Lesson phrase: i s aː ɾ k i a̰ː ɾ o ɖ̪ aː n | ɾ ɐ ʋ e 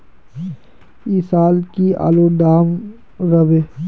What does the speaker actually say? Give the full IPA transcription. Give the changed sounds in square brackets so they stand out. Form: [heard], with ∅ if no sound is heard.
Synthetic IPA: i s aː [l] k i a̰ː [l] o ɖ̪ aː [m] | ɾ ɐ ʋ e